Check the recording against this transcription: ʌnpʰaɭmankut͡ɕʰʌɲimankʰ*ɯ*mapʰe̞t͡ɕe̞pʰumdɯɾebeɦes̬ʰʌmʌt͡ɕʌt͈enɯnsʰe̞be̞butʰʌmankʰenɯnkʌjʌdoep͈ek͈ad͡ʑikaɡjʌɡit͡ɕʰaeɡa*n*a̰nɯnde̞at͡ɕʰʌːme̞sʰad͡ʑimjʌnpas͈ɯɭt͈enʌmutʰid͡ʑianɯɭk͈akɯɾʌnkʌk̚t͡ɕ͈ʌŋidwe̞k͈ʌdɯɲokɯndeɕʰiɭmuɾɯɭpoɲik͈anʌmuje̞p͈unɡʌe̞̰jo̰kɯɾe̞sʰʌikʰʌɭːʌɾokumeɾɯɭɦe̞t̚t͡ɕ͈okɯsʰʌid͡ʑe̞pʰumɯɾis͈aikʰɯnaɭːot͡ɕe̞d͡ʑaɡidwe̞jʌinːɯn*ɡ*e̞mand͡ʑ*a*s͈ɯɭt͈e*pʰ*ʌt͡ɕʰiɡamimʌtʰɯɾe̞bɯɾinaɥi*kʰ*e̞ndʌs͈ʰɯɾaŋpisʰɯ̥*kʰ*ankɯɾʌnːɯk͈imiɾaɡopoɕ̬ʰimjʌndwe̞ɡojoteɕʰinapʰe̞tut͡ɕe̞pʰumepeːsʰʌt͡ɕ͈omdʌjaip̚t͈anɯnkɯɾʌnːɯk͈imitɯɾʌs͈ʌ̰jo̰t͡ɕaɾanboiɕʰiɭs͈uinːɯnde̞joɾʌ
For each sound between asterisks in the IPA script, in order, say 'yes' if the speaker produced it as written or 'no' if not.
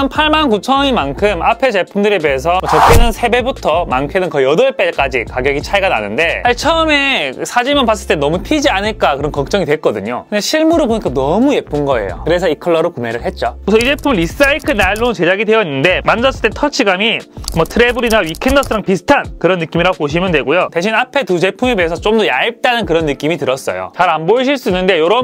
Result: yes, yes, no, no, no, yes, no

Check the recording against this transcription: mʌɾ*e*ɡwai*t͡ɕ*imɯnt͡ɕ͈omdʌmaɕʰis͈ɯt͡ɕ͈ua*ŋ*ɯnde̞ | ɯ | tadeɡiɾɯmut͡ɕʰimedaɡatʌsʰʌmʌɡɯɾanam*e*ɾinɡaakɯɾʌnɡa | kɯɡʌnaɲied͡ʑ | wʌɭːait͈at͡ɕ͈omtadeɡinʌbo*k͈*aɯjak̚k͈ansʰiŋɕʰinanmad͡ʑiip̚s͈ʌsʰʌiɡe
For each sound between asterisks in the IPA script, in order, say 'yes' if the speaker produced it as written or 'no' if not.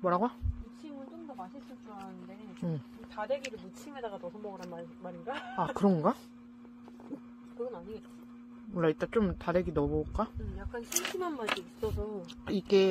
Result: no, no, no, no, yes

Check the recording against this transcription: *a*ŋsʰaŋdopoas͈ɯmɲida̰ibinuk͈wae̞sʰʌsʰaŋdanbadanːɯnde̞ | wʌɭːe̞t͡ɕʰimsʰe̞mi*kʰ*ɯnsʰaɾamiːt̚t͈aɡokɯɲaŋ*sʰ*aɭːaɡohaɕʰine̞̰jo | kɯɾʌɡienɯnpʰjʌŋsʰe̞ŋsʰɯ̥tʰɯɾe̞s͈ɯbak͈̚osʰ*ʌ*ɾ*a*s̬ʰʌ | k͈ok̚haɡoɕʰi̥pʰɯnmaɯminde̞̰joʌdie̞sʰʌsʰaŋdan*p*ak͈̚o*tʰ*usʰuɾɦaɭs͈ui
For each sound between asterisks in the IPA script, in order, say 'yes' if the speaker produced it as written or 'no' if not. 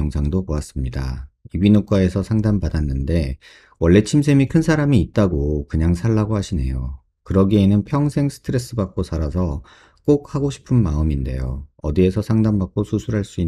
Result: no, yes, yes, no, yes, no, no

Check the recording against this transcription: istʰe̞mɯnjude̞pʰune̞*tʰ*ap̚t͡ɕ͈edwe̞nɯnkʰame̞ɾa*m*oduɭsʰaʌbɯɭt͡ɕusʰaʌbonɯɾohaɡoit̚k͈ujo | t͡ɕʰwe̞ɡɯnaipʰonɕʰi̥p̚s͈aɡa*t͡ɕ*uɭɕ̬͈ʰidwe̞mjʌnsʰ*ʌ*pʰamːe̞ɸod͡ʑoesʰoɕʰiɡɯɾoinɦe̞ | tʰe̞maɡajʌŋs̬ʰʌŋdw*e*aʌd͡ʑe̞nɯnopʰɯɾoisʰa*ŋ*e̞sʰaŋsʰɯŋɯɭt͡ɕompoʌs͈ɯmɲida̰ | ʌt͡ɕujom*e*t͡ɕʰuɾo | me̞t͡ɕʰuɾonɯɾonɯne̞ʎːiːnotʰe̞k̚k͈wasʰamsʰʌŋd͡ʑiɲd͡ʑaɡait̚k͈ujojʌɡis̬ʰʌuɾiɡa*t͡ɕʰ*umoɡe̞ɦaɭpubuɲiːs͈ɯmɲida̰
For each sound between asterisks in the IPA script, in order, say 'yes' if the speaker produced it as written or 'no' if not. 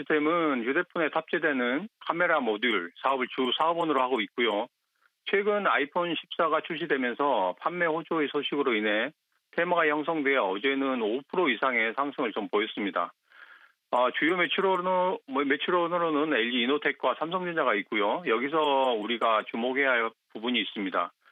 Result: yes, yes, no, yes, yes, yes, yes, no

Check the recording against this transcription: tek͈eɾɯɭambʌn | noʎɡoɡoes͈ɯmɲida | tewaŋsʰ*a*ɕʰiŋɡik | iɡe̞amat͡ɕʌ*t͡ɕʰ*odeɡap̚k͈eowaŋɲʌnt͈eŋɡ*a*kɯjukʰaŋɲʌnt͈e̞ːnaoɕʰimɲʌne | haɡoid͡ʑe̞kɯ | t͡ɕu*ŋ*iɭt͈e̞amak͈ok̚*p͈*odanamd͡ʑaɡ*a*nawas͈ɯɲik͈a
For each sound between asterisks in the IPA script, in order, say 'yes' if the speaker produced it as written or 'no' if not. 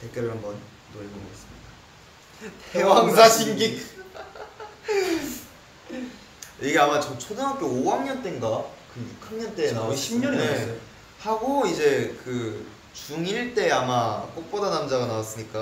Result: yes, yes, yes, yes, yes, yes

